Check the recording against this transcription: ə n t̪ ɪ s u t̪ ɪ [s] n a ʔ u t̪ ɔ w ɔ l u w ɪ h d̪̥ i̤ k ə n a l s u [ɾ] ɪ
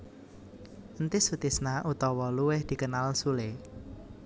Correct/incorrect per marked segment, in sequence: correct, incorrect: l

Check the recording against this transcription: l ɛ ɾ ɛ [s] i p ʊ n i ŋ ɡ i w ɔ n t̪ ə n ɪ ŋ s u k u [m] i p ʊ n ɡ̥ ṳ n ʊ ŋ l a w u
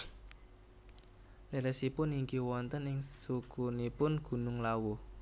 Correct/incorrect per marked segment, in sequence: correct, incorrect: n

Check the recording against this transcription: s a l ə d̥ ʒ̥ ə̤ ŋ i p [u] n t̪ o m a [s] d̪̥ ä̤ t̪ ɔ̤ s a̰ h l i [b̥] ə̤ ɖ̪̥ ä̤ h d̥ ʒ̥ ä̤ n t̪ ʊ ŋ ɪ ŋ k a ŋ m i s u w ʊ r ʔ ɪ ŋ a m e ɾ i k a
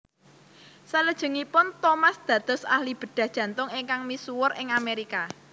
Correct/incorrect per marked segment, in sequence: incorrect: ʊ, correct, correct

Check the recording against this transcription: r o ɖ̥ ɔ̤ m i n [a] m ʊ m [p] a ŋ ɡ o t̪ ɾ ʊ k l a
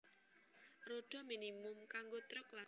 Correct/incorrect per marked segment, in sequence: incorrect: i, incorrect: k

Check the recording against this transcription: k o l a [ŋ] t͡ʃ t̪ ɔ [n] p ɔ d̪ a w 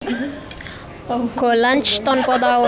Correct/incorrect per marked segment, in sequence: incorrect: n, correct

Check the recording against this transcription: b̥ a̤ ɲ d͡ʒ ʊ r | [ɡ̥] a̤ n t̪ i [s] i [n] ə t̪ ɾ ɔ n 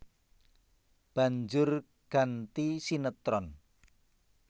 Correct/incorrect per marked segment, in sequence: correct, correct, correct

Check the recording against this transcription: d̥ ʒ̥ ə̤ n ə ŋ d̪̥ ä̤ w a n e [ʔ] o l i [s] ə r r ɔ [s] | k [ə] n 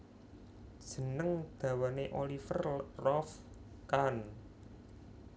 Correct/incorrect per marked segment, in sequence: correct, incorrect: f, incorrect: f, incorrect: a

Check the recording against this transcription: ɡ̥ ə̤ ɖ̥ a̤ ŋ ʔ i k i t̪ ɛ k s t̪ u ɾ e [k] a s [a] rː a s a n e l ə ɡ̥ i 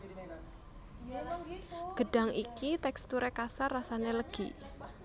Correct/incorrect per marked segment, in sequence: correct, correct

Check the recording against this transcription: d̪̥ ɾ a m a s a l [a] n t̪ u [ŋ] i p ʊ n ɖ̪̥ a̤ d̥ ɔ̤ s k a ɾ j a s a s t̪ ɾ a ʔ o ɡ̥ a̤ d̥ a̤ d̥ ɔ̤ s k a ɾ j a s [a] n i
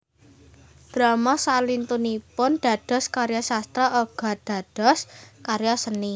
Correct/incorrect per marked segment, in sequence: incorrect: i, incorrect: n, incorrect: ə

